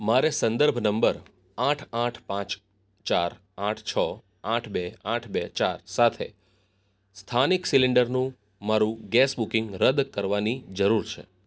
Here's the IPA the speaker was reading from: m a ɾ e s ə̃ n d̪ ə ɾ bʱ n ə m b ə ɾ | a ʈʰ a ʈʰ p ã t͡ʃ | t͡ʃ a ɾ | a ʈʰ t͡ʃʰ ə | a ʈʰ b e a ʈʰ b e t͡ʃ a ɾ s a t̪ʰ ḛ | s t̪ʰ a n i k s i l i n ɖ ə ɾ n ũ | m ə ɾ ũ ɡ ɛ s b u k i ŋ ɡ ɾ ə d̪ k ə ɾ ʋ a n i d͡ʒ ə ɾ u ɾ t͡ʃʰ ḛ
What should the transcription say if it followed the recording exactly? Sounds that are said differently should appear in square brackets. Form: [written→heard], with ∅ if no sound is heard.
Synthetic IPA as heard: m a ɾ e s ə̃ n d̪ ə ɾ bʱ n ə m b ə ɾ | a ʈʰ a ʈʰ p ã t͡ʃ | t͡ʃ a ɾ | a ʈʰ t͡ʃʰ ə | a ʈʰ b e a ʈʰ b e t͡ʃ a ɾ s a t̪ʰ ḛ | s t̪ʰ a n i k s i l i [n→ɳ] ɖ ə ɾ n ũ | m [ə→a] ɾ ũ ɡ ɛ s b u k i ŋ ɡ ɾ ə d̪ k ə ɾ ʋ a n i d͡ʒ ə ɾ u ɾ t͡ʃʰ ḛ

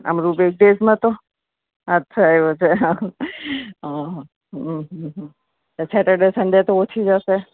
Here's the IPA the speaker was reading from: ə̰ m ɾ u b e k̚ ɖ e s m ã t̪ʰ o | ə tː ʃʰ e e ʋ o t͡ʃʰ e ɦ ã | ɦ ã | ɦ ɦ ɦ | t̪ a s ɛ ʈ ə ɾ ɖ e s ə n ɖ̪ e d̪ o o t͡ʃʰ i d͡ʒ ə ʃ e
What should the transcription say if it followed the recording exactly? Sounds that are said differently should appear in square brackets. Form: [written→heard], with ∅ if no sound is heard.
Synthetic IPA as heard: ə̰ m ɾ u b e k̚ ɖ e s m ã [t̪ʰ→t̪] o | ə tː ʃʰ [e→a] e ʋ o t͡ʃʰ e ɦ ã | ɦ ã | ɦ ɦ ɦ | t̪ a s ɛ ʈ ə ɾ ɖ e s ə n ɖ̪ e [d̪→t̪] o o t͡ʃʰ i d͡ʒ ə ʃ e

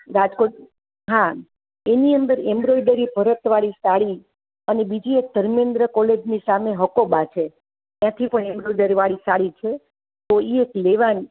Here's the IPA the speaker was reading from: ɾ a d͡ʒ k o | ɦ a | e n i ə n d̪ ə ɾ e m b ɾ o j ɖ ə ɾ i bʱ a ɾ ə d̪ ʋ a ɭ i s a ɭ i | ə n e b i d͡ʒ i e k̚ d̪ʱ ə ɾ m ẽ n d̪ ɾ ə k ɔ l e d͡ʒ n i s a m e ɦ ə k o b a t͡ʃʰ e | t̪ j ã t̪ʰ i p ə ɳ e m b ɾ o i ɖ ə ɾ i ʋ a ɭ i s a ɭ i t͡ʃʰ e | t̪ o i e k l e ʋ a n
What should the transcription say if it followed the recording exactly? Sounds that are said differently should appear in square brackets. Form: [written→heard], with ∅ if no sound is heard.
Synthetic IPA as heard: ɾ a d͡ʒ k o | ɦ a | e n i ə n d̪ ə ɾ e m b ɾ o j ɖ ə ɾ i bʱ [a→ə] ɾ ə [d̪→t̪] ʋ a ɭ i s a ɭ i | ə n e b i d͡ʒ i e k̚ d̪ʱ ə ɾ m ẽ n d̪ ɾ ə k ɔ l e d͡ʒ n i s a m e ɦ ə k o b a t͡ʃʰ e | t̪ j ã t̪ʰ i p ə ɳ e m b ɾ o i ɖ ə ɾ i ʋ a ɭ i s a ɭ i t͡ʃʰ e | t̪ o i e k l e ʋ a n

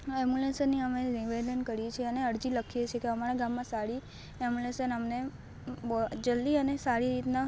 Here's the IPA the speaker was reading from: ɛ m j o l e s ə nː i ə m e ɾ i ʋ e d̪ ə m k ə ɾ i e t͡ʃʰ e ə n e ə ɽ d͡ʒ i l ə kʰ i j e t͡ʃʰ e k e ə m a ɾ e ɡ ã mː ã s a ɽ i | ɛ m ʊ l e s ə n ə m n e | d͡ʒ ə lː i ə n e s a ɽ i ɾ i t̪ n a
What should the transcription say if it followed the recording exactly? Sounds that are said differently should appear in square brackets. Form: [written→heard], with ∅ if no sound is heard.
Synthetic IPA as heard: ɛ m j [o→u] l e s ə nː i ə m e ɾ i ʋ e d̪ ə [m→n] k ə ɾ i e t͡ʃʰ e ə n e ə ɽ d͡ʒ i l ə kʰ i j e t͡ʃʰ e k e ə m a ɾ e ɡ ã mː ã s a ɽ i | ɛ m [ʊ→u] l e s ə n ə m n e | d͡ʒ ə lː i ə n e s a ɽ i ɾ i t̪ n a

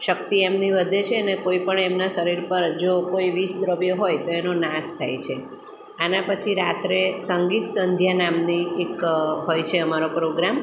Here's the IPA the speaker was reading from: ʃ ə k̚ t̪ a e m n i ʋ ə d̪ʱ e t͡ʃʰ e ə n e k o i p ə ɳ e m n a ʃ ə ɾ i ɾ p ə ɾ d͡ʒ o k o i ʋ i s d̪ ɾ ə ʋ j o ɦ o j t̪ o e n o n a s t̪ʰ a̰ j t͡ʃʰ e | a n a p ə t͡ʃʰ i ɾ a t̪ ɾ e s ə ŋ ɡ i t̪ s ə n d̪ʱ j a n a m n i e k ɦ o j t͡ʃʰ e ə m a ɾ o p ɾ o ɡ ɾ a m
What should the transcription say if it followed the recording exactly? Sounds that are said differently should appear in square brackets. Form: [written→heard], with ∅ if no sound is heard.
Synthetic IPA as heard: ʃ ə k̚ t̪ [a→i] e m n i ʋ ə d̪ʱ e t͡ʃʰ e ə n e k o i p ə ɳ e m n a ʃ ə ɾ i ɾ p ə ɾ d͡ʒ o k o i ʋ i s d̪ ɾ ə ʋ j o ɦ o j t̪ o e n o n a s t̪ʰ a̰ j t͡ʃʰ e | a n a p ə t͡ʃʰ i ɾ a t̪ ɾ e s ə ŋ ɡ i t̪ s ə n d̪ʱ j a n a m n i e k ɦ o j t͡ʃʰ e ə m a ɾ o p ɾ o ɡ ɾ a m

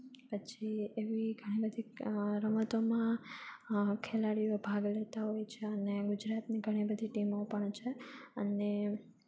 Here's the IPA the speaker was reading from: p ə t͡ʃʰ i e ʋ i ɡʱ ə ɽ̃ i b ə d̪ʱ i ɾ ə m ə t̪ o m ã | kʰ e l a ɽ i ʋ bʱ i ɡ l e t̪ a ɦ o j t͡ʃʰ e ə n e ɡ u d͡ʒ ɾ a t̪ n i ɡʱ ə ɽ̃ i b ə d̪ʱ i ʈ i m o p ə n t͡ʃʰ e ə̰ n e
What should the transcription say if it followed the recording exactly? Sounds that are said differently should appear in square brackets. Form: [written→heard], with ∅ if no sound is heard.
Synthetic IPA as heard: p ə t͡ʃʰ i e ʋ i ɡʱ ə ɽ̃ i b ə d̪ʱ i ɾ ə m ə t̪ o m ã | kʰ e l a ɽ i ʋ bʱ [i→a] ɡ l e t̪ a ɦ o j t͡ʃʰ e ə n e ɡ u d͡ʒ ɾ a t̪ n i ɡʱ ə ɽ̃ i b ə d̪ʱ i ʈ i m o p ə [n→ɳ] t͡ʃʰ e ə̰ n e

